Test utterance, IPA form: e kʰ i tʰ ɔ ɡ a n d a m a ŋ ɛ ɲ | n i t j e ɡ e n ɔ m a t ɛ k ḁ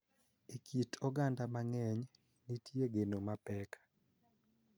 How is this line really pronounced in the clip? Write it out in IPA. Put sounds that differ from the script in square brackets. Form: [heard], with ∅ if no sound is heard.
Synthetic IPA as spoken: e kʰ i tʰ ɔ ɡ a n d a m a ŋ ɛ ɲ | n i t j e ɡ e n [o] m a [p] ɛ k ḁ